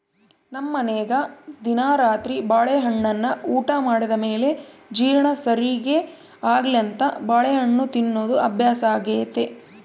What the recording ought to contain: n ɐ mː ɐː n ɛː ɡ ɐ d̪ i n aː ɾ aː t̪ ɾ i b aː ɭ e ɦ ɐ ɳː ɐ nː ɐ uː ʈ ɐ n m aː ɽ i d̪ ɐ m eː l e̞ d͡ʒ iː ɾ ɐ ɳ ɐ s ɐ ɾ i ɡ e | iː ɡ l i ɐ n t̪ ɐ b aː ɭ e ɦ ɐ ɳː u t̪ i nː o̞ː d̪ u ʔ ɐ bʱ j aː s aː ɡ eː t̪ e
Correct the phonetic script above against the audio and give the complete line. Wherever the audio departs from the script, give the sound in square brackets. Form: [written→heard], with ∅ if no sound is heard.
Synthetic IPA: n ɐ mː [ɐː→ɐ] n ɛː ɡ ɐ d̪ i n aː ɾ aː t̪ ɾ i b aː ɭ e ɦ ɐ ɳː ɐ nː ɐ uː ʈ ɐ [n→∅] m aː ɽ i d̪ ɐ m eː l e̞ d͡ʒ iː ɾ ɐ ɳ ɐ s ɐ ɾ i ɡ e | [iː→aː] ɡ l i ɐ n t̪ ɐ b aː ɭ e ɦ ɐ ɳː u t̪ i nː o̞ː d̪ u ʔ ɐ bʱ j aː s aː ɡ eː t̪ e

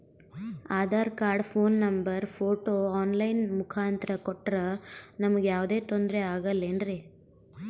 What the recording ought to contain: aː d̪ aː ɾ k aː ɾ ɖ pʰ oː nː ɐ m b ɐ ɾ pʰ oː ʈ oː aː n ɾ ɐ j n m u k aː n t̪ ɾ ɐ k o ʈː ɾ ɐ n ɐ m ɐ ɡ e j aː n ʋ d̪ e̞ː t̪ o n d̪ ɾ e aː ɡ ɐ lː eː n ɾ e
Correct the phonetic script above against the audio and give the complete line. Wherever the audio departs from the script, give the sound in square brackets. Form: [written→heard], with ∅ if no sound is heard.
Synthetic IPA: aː d̪ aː ɾ k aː ɾ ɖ pʰ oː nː ɐ m b ɐ ɾ pʰ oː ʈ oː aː n [ɾ→l] ɐ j n m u [k→kʰ] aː n t̪ ɾ ɐ k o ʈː ɾ ɐ n ɐ m ɐ ɡ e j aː [n→∅] ʋ d̪ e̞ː t̪ o n d̪ ɾ e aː ɡ ɐ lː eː n ɾ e

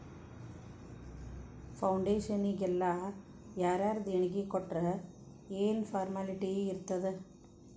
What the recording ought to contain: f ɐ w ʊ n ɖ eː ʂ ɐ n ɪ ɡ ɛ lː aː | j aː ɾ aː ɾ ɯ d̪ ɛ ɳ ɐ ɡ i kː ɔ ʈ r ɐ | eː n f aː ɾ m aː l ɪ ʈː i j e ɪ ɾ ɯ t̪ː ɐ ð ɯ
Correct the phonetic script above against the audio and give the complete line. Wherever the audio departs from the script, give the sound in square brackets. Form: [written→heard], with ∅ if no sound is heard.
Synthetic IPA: f ɐ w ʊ [n→ɳ] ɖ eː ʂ ɐ n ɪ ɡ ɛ lː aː | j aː ɾ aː ɾ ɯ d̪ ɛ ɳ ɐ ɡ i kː ɔ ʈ r ɐ | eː n f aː ɾ m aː l ɪ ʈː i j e ɪ ɾ ɯ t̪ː ɐ ð ɯ

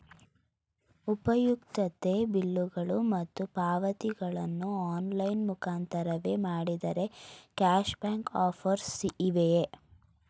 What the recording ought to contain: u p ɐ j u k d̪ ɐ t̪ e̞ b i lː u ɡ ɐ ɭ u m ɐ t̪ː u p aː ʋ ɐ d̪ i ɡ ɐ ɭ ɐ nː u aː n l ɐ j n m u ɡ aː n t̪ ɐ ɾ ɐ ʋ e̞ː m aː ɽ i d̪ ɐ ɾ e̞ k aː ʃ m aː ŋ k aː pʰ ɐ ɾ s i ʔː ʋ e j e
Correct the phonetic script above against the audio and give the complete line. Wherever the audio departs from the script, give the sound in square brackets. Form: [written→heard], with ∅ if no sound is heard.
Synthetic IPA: u p ɐ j u k [d̪→t̪] ɐ t̪ e̞ b i lː u ɡ ɐ ɭ u m ɐ t̪ː u p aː ʋ ɐ [d̪→t̪] i ɡ ɐ ɭ ɐ nː u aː n l ɐ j n m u [ɡ→k] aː n t̪ ɐ ɾ ɐ ʋ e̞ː m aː ɽ i d̪ ɐ ɾ e̞ k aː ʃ [m→b] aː ŋ k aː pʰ ɐ ɾ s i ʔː ʋ e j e

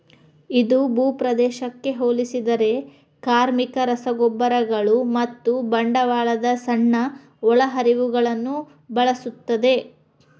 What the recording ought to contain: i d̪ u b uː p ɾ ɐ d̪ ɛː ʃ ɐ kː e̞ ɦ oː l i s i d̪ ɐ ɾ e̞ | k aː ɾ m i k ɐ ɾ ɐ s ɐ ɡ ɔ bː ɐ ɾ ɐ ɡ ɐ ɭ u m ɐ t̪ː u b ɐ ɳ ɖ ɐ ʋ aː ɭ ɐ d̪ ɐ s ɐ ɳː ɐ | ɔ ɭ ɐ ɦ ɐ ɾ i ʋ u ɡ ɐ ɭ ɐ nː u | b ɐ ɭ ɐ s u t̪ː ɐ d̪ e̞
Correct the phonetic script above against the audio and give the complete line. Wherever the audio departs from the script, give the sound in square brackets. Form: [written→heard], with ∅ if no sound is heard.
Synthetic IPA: i d̪ u b uː p ɾ ɐ d̪ ɛː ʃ ɐ kː e̞ ɦ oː l i s i d̪ ɐ ɾ e̞ | k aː ɾ m i k ɐ ɾ ɐ s ɐ ɡ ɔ bː ɐ ɾ ɐ ɡ ɐ ɭ u m ɐ t̪ː u b ɐ ɳ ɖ ɐ ʋ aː ɭ ɐ d̪ ɐ s ɐ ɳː ɐ | ɔ ɭ ɐ ɦ ɐ ɾ i ʋ u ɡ ɐ ɭ ɐ nː u | b ɐ ɭ ɐ s u t̪ː ɐ d̪ e̞

